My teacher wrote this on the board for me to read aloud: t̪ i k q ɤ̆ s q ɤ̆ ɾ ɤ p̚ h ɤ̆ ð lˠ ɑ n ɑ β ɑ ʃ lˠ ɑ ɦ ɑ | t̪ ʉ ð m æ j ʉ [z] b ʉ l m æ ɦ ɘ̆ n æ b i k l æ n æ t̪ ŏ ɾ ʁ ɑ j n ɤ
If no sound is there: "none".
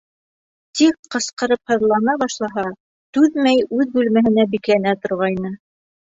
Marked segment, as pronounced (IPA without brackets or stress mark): ð